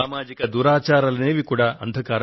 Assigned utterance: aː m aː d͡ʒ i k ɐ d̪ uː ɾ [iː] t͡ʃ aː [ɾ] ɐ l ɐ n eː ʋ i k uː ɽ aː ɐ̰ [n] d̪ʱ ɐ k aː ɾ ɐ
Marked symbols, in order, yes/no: no, yes, yes

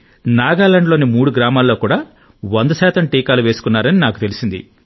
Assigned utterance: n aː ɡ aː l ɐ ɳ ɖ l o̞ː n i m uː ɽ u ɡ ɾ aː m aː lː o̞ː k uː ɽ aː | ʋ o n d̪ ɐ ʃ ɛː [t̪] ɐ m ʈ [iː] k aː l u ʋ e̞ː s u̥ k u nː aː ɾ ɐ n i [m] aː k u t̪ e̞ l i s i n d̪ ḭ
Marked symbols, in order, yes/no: yes, yes, no

